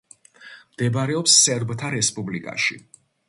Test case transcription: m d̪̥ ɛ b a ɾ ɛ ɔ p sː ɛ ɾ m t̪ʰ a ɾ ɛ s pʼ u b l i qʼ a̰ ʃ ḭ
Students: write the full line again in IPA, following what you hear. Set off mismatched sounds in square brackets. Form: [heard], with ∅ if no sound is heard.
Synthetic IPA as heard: m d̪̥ ɛ b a ɾ ɛ ɔ p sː ɛ ɾ [b] t̪ʰ a ɾ ɛ s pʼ u b l i [kʼ] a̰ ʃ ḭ